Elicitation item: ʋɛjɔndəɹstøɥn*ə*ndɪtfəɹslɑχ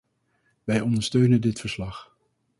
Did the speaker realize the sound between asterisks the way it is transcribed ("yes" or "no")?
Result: yes